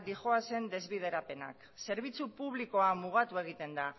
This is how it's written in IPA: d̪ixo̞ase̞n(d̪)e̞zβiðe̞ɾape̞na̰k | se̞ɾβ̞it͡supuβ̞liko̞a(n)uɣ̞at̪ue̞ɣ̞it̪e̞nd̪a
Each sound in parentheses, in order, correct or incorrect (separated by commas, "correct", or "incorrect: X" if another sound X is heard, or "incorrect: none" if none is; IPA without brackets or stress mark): correct, incorrect: m